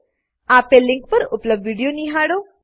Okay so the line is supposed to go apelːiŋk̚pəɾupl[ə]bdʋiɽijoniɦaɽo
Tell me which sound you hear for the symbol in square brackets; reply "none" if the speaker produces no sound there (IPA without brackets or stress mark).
ə